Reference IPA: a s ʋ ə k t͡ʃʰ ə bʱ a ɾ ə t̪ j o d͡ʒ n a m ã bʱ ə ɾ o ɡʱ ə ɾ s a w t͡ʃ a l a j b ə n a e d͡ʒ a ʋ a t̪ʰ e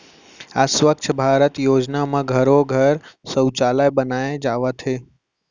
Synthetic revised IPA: a s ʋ ə k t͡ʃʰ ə bʱ a ɾ ə t̪ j o d͡ʒ n a m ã ɡʱ ə ɾ o ɡʱ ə ɾ s ə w t͡ʃ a l a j b ə n a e d͡ʒ a ʋ a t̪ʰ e